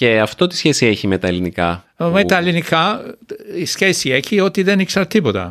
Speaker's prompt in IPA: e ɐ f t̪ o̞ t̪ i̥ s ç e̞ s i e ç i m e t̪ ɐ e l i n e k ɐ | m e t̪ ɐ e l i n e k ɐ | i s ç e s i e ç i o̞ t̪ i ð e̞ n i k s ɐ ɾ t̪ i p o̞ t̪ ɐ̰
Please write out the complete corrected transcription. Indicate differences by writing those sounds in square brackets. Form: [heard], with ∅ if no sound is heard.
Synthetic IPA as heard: e ɐ f t̪ o̞ t̪ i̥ s ç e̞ s i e ç i m e t̪ ɐ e l i n [i] k ɐ | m e t̪ ɐ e l i n [i] k ɐ | i s ç e s i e ç i o̞ t̪ i ð e̞ n i k s ɐ ɾ t̪ i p o̞ t̪ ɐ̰